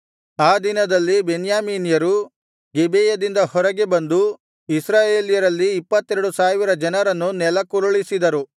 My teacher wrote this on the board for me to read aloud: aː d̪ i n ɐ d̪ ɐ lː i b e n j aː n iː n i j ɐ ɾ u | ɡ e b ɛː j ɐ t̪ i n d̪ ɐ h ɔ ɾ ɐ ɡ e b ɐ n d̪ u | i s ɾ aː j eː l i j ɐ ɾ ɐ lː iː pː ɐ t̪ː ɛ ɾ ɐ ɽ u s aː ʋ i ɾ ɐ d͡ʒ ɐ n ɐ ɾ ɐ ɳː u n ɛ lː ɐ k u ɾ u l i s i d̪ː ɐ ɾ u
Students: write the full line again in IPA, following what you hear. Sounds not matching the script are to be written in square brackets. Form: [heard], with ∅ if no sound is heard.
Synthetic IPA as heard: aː d̪ i n ɐ d̪ ɐ lː i b e n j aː [m] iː n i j ɐ ɾ u | ɡ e b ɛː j ɐ [d̪] i n d̪ ɐ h ɔ ɾ ɐ ɡ e b ɐ n d̪ u | i s ɾ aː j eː l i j ɐ ɾ ɐ lː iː pː ɐ t̪ː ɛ ɾ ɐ ɽ u s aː ʋ i ɾ ɐ d͡ʒ ɐ n ɐ ɾ ɐ [nː] u n ɛ [l] ɐ k u ɾ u [ɭ] i s i [d̪] ɐ ɾ u